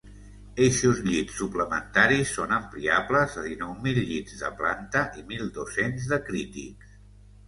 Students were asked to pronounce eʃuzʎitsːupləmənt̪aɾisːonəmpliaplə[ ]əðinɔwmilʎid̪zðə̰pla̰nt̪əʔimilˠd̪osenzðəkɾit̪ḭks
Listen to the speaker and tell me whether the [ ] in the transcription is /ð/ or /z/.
z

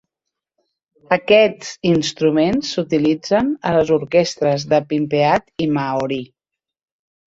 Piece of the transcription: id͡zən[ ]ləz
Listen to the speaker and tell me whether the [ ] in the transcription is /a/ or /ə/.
ə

